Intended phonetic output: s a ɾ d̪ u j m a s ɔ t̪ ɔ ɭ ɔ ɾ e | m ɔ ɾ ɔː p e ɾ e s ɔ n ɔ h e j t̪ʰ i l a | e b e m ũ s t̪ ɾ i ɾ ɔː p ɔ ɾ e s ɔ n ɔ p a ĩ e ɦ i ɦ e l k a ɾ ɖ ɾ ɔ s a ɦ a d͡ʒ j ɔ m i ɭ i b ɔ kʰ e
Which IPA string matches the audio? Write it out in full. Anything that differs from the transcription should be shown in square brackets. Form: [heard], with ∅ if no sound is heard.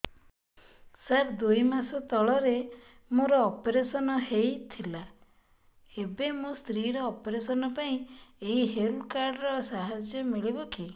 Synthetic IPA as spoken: s a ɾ d̪ u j m a s ɔ t̪ ɔ ɭ ɔ ɾ e | m [o] ɾ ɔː p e ɾ e s ɔ n ɔ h e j t̪ʰ i l a | e b e m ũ s t̪ ɾ i ɾ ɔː p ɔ ɾ e s ɔ n ɔ p a ĩ e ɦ i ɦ e l k a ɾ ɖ ɾ ɔ s a ɦ a d͡ʒ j ɔ m i ɭ i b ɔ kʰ [i]